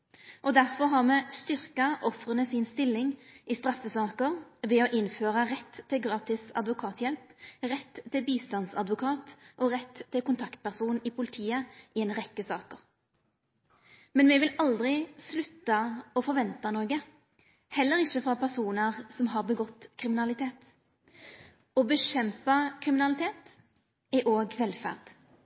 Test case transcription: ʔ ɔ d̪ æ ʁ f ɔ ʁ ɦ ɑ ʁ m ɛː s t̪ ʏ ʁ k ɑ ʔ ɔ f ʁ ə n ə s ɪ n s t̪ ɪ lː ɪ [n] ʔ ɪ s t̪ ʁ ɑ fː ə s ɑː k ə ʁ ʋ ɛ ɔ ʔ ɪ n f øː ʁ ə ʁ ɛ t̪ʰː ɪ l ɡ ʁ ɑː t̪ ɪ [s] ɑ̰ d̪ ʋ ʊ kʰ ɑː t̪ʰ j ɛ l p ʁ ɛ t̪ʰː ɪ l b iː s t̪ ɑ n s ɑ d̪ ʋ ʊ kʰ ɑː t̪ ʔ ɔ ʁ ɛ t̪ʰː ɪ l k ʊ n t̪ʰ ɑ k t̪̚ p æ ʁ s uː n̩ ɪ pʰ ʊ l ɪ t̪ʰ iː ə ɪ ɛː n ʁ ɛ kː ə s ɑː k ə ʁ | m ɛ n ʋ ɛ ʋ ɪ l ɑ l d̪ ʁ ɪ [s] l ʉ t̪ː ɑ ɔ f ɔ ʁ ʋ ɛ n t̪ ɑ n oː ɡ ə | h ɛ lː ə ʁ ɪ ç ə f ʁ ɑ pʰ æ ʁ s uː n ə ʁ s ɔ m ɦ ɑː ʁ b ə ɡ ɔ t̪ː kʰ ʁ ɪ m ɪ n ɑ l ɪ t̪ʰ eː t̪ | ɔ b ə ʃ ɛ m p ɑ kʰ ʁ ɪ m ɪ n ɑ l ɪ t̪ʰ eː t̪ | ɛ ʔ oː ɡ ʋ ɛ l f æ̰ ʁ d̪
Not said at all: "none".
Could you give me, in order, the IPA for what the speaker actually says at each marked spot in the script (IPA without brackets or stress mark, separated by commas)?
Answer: ŋ, s, s